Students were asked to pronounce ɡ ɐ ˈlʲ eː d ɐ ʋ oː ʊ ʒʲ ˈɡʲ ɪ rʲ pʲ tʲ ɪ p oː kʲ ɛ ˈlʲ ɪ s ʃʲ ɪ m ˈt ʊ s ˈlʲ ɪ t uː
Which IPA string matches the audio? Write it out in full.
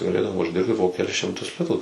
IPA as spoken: ɡ ɐ ˈlʲ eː d ɐ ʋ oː ʊ ʒʲ ˈdʲ ɪ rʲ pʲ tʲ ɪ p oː kʲ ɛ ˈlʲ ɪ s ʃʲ ɪ m ˈt ʊ s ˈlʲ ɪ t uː